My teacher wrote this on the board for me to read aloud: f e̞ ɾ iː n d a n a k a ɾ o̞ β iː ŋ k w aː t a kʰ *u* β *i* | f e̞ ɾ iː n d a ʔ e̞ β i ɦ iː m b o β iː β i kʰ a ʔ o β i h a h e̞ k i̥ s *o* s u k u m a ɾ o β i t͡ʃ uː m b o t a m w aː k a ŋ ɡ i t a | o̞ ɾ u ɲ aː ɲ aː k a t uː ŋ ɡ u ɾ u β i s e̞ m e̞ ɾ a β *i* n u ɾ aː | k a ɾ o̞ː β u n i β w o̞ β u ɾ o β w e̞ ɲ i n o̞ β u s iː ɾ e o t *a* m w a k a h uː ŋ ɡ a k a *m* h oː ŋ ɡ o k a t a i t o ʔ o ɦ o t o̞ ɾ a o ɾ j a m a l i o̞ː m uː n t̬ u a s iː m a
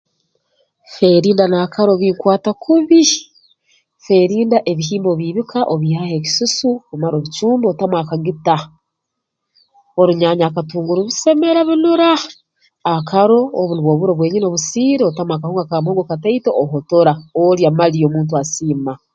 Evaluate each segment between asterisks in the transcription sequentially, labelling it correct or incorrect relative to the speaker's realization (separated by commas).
correct, correct, incorrect, correct, correct, correct